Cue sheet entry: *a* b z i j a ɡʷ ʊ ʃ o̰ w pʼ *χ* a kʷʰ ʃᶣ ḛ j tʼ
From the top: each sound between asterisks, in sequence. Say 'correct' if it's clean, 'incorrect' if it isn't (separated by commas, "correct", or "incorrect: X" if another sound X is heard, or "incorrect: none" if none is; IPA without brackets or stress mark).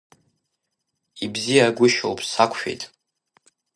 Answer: incorrect: i, incorrect: s